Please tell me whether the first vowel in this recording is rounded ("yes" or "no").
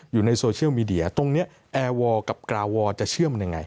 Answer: yes